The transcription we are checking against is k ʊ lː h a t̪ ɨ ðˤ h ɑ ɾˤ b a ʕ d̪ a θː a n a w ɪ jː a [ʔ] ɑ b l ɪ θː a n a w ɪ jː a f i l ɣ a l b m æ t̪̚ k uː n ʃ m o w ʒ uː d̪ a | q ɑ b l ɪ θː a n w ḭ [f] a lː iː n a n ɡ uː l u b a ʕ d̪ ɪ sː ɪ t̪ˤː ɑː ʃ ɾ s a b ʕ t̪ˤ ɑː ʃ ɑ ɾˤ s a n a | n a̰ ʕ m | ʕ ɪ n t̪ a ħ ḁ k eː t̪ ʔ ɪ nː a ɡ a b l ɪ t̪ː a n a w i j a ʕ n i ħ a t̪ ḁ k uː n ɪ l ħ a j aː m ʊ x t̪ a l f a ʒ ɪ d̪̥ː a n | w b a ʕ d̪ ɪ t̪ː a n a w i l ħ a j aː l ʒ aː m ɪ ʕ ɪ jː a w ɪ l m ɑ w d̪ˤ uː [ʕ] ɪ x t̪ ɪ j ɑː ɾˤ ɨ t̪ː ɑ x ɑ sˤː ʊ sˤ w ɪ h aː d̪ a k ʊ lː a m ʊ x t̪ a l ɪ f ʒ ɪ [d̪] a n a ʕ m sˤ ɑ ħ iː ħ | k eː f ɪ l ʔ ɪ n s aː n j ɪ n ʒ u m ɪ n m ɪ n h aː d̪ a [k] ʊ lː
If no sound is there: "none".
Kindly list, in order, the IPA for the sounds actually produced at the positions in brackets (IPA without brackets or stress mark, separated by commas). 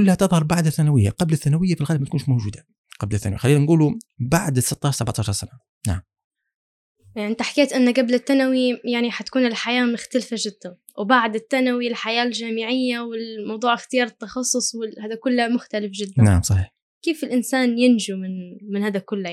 q, x, ʕ, d̪ː, k